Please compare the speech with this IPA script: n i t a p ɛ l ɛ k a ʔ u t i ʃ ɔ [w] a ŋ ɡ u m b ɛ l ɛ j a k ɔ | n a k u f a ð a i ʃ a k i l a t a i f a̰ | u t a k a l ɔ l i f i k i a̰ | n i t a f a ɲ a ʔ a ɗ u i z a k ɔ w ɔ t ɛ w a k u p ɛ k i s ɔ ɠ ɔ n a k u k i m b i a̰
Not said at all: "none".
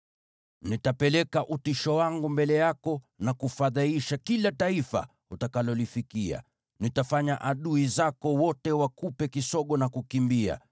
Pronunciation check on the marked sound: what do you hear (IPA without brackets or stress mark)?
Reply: w